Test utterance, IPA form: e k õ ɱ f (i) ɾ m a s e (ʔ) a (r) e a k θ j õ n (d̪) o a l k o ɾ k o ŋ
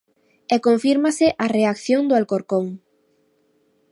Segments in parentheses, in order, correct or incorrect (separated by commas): correct, correct, correct, correct